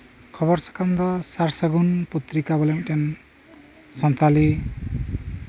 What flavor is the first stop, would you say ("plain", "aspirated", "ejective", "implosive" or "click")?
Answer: aspirated